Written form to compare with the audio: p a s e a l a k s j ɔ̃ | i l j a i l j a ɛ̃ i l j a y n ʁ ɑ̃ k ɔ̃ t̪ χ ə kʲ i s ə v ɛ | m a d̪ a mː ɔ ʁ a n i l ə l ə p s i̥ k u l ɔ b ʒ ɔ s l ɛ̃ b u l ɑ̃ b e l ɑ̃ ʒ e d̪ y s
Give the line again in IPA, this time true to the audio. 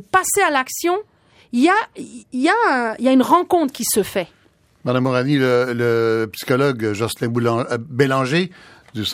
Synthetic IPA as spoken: p a s e a l a k s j ɔ̃ | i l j a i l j a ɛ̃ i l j a y n ʁ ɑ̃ k ɔ̃ t̪ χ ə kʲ i s ə f ɛ | m a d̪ a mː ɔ ʁ a n i l ə l ə p s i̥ k ɔ l ɔ ɡ ʒ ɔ s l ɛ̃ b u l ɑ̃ b e l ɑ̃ ʒ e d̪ y s